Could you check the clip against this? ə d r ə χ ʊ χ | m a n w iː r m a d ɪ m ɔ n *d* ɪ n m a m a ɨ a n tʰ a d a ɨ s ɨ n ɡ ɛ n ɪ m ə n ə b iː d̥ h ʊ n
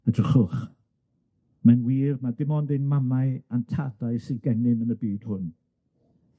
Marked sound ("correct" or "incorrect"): correct